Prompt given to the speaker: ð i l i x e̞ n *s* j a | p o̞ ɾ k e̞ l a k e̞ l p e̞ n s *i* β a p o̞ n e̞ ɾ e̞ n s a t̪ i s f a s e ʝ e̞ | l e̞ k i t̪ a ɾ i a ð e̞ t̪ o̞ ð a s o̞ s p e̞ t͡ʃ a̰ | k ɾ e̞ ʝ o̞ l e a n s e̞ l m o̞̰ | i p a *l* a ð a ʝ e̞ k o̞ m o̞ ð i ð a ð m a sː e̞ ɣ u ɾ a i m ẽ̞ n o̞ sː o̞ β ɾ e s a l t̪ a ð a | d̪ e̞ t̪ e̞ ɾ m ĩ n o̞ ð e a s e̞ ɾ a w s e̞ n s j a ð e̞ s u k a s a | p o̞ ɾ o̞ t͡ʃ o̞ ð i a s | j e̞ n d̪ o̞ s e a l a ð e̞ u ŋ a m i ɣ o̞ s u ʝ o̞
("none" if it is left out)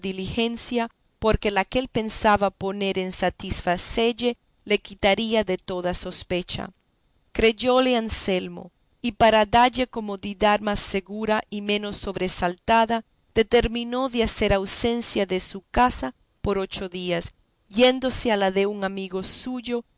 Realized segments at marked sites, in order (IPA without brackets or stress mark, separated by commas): s, a, ɾ